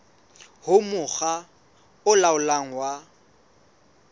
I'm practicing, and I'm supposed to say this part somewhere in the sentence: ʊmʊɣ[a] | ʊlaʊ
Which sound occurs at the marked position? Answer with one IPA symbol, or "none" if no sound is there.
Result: a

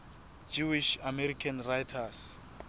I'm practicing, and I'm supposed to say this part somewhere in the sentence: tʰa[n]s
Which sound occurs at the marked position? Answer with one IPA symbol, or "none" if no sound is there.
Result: none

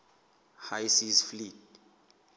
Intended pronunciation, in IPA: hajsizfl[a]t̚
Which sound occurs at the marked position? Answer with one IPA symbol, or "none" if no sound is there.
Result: i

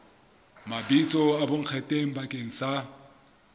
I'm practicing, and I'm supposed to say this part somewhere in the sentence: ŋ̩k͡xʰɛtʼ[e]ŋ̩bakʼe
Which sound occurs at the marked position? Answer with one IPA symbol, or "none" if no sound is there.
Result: e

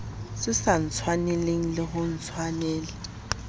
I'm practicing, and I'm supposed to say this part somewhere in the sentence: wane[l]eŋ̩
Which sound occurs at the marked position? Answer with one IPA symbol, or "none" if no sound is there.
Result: l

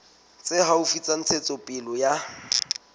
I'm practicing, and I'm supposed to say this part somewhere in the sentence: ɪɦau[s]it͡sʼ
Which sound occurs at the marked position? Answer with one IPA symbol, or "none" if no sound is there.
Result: f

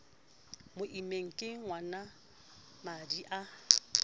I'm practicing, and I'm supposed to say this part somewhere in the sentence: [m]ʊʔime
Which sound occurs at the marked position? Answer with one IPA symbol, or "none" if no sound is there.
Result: m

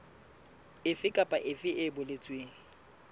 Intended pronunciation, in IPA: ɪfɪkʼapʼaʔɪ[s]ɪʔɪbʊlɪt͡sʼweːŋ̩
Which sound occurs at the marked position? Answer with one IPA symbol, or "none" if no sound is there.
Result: f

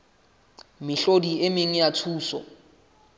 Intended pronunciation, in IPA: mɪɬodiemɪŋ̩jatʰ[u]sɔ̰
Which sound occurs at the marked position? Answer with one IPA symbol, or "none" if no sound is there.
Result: uː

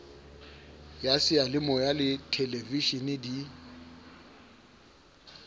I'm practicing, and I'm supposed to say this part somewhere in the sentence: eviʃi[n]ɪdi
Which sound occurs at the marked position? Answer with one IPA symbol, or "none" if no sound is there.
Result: n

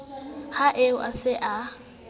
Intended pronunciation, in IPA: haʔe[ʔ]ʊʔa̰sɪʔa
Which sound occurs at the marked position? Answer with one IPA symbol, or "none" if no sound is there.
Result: none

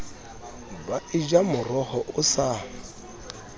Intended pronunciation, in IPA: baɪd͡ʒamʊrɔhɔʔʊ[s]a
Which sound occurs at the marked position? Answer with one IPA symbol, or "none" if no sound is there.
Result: s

